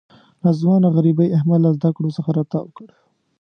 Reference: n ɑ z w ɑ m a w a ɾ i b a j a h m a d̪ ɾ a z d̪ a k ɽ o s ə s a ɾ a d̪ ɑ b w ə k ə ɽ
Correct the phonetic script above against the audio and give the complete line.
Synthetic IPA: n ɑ z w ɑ n a ɣ a ɾ i b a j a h m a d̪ l a z d̪ a k ɽ o s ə x a ɾ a t̪ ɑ w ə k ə ɽ